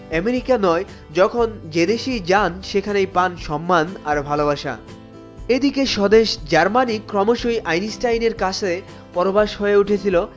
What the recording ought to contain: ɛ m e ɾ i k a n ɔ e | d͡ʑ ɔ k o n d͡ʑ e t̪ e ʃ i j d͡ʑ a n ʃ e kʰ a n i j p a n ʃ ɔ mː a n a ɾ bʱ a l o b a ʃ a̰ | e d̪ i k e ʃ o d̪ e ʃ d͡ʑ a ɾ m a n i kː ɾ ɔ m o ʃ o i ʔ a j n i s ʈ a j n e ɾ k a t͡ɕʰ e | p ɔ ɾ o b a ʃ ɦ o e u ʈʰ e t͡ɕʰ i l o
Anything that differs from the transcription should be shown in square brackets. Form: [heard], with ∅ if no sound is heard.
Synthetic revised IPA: ɛ m e ɾ i k a n ɔ e | d͡ʑ ɔ [kʰ] o n d͡ʑ e [d̪] e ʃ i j d͡ʑ a n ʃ e kʰ a n [e] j p a n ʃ ɔ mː a n a ɾ bʱ a l o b a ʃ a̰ | e d̪ i k e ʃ [ɔ] d̪ e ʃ d͡ʑ a ɾ m a n i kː ɾ ɔ m o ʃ o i ʔ a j n i s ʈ a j n e ɾ k a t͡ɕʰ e | p ɔ ɾ o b a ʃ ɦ o e u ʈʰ e t͡ɕʰ i l o